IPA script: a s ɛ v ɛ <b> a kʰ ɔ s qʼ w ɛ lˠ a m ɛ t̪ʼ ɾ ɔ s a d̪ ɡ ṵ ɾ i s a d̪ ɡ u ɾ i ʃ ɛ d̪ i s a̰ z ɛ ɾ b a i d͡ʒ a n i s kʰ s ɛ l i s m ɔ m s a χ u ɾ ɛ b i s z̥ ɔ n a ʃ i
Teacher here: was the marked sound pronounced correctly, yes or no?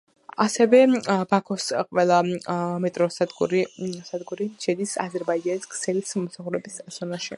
yes